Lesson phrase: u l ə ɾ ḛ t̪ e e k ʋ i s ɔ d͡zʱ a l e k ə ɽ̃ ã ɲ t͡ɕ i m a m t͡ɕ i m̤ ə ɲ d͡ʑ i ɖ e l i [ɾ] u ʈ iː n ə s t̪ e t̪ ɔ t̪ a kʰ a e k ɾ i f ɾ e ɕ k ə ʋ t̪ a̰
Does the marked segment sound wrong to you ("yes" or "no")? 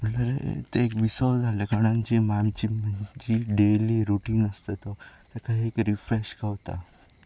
no